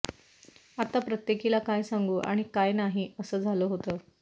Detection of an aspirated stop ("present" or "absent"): absent